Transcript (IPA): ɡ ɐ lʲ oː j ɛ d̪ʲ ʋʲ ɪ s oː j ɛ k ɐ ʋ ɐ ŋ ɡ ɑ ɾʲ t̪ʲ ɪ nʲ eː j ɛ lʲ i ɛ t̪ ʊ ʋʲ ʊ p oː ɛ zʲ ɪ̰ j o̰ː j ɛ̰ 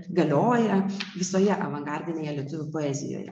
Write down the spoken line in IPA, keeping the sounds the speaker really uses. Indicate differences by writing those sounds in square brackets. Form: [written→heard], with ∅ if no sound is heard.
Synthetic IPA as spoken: ɡ ɐ lʲ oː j ɛ [d̪ʲ→∅] ʋʲ ɪ s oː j ɛ [k→ʔ] ɐ ʋ ɐ ŋ ɡ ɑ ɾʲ [t̪ʲ→d̪ʲ] ɪ nʲ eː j ɛ lʲ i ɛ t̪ ʊ ʋʲ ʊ p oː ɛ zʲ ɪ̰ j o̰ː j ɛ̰